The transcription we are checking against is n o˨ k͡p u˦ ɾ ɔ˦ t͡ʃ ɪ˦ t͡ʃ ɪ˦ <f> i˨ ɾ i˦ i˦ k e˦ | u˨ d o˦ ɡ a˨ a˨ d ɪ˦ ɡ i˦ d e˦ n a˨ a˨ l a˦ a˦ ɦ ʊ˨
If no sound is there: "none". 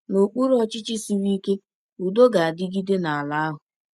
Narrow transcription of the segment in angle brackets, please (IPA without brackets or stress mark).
s